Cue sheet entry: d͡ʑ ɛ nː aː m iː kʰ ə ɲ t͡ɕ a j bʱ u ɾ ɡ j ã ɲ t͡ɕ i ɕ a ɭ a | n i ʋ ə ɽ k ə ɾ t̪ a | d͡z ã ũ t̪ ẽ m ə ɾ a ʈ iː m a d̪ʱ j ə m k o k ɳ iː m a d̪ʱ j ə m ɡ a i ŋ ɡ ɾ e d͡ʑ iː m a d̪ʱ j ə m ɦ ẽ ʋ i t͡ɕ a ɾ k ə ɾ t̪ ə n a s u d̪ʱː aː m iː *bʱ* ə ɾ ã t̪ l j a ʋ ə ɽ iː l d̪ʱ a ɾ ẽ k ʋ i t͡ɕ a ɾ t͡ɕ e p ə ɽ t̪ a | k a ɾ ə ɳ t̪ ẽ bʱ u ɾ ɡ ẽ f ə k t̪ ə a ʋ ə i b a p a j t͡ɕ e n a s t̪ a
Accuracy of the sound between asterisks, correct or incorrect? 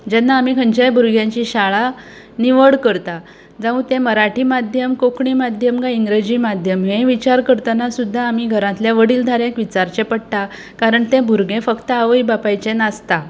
incorrect